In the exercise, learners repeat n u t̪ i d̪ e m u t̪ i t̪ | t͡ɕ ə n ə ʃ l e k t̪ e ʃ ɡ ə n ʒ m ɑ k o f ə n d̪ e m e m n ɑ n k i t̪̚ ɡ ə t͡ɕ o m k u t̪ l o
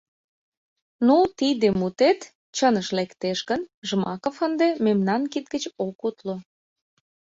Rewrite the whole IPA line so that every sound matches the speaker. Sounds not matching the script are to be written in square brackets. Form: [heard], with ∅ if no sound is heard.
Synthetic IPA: n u t̪ i d̪ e m u t̪ [e] t̪ | t͡ɕ ə n ə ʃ l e k t̪ e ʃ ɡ ə n ʒ m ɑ k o f ə n d̪ e m e m n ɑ n k i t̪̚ ɡ ə t͡ɕ o [∅] k u t̪ l o